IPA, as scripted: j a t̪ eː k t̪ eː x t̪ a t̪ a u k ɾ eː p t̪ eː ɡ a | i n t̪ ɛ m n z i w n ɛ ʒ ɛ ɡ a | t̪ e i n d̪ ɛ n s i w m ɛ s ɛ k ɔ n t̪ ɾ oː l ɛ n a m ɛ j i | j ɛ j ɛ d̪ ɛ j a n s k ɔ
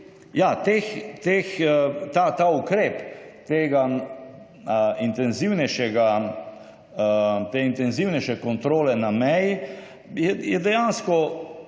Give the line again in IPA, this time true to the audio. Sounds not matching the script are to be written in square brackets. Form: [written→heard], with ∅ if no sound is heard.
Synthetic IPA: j a t̪ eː [k→x] t̪ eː x t̪ a t̪ a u k ɾ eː p t̪ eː ɡ a | i n t̪ ɛ [m→∅] n z i w n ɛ [ʒ→ʃ] ɛ ɡ a | t̪ e i n [d̪→t̪] ɛ n [s→z] i w [m→n] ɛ [s→ʃ] ɛ k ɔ n t̪ ɾ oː l ɛ n a m ɛ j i | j ɛ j ɛ d̪ ɛ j a n s k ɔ